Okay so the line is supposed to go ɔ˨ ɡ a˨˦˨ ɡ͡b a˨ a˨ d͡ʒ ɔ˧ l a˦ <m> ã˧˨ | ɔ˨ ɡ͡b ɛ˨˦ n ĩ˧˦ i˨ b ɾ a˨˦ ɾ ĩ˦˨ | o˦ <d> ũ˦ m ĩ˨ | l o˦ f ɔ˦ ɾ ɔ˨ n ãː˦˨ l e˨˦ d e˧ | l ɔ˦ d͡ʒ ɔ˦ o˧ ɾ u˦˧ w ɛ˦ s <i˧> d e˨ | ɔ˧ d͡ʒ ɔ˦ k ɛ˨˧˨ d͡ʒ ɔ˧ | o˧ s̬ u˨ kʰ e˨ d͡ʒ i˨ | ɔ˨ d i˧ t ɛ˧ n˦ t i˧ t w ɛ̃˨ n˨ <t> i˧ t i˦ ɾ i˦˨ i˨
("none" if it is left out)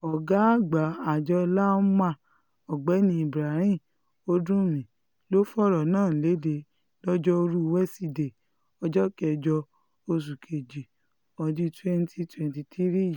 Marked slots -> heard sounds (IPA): m, d, i˧, t

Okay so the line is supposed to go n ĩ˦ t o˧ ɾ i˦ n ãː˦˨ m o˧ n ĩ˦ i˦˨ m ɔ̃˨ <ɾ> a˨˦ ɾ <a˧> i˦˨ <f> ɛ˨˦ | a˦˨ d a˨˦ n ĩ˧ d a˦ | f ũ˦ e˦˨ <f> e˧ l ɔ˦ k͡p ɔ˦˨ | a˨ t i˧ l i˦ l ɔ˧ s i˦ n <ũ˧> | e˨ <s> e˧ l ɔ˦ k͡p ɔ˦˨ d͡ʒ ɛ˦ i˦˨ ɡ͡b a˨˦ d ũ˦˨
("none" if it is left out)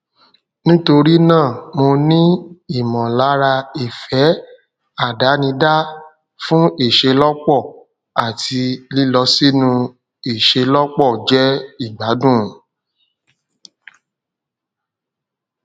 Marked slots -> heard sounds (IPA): l, a˧, f, ʃ, ũ˧, ʃ

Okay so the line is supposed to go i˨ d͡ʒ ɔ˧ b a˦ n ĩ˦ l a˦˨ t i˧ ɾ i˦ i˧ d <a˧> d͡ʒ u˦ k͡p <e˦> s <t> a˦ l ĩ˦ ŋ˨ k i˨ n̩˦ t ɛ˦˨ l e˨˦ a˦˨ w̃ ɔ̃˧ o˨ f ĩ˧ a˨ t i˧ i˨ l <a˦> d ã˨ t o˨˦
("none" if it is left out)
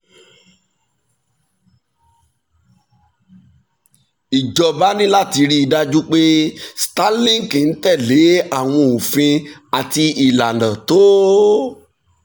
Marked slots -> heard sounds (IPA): a˧, e˦, t, a˨

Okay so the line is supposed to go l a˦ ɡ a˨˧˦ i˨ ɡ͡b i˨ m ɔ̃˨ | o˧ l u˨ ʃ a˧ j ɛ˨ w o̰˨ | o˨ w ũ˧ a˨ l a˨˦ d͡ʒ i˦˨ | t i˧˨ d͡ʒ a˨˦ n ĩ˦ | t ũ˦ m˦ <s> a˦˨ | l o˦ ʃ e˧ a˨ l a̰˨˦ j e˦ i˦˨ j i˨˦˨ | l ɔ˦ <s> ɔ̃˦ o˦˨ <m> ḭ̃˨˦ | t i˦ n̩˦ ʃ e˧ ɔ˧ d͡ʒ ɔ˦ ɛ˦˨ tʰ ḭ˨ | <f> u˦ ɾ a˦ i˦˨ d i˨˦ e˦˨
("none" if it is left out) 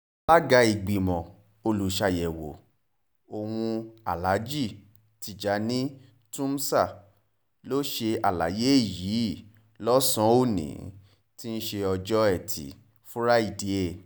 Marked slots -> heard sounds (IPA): s, s, n, f

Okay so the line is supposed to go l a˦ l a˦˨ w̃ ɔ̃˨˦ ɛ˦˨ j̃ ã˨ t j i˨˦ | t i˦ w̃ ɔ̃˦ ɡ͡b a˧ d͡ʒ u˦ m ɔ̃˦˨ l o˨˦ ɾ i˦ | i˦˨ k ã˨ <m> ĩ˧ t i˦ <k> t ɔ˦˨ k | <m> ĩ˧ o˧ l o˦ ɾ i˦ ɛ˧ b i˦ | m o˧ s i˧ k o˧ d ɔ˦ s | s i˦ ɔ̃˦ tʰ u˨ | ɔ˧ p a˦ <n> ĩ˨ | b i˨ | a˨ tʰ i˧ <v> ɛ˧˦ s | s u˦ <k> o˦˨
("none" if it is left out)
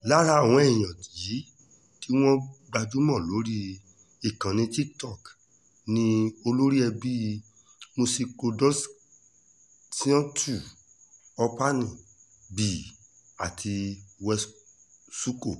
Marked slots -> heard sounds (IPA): n, k, n, n, w, k

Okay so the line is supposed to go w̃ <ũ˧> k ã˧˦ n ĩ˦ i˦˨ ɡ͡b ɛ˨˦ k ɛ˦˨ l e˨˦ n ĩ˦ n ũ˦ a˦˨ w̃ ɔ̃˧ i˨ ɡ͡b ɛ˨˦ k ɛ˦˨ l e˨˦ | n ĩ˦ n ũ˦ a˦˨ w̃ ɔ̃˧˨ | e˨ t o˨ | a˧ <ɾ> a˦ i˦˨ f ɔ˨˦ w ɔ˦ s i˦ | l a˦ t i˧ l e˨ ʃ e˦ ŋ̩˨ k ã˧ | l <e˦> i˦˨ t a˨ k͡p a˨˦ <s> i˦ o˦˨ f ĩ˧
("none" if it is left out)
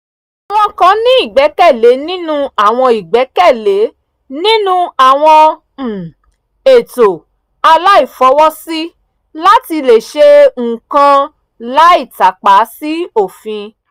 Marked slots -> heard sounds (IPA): ɔ̃˧, l, a˦, s

